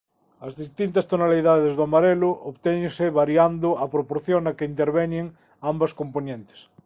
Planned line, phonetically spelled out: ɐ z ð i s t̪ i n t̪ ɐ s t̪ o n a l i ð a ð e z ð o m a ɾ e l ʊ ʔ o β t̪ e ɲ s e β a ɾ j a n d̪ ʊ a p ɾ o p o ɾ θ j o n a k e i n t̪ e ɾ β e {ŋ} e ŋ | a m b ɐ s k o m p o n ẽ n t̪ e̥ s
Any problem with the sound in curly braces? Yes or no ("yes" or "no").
yes